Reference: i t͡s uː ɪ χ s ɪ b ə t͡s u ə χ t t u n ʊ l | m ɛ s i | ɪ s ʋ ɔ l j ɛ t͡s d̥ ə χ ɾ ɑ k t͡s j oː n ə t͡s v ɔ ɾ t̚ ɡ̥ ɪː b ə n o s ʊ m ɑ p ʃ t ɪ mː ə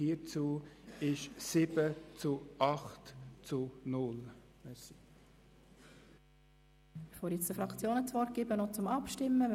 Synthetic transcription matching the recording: i t͡s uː ɪ ʃ s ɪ b ə t͡s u ɑ χ t t͡s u n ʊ l | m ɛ s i | ɪ χ ʋ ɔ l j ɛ t͡s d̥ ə f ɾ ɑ k t͡s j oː n ə t͡s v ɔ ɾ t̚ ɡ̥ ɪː b ə n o t͡s ʊ m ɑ p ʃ t ɪ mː ə